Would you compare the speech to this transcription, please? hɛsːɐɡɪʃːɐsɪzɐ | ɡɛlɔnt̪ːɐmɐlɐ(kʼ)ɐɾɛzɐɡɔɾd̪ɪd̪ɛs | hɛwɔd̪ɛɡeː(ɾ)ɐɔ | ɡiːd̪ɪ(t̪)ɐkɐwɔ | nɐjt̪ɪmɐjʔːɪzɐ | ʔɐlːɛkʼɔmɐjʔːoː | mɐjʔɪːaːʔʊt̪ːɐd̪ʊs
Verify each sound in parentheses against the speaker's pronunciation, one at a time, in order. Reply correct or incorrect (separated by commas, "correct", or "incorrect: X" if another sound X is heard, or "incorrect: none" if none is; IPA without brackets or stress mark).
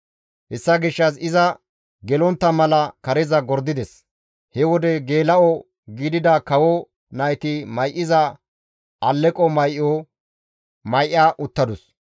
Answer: incorrect: k, incorrect: l, incorrect: d̪